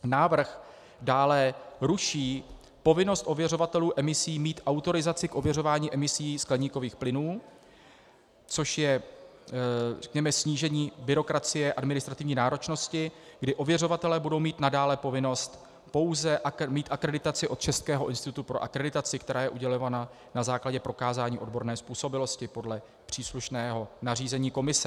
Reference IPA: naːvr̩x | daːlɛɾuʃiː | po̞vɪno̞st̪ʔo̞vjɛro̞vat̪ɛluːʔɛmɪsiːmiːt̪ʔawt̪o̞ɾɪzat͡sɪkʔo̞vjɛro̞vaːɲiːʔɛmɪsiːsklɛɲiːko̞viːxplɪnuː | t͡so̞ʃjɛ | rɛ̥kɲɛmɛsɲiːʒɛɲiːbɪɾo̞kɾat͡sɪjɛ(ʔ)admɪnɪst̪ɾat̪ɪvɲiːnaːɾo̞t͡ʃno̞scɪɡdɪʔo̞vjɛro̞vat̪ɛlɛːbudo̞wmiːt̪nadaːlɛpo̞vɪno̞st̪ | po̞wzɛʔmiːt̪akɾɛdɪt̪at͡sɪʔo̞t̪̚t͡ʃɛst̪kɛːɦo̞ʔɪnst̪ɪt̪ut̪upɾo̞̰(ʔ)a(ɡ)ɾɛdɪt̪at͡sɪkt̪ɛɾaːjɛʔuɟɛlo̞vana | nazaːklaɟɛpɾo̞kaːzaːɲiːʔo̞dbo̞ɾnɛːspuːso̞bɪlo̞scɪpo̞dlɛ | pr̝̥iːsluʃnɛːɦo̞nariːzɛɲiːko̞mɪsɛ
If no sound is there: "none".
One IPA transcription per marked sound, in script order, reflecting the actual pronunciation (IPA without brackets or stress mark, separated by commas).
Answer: ʔ, ʔ, k